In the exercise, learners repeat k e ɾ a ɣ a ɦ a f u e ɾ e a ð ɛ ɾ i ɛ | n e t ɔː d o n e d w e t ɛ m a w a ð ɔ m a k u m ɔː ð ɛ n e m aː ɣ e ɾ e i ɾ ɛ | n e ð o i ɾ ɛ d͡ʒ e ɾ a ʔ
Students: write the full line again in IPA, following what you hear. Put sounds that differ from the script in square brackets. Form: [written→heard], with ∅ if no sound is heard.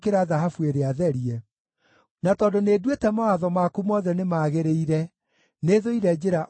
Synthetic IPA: k e ɾ a [ɣ→ð] a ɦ a f u e ɾ e a ð ɛ ɾ i ɛ | n [e→a] t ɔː d o n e d w e t ɛ m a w a ð ɔ m a k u m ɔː ð ɛ n e m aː ɣ e ɾ e i ɾ ɛ | n e ð o i ɾ ɛ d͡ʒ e ɾ a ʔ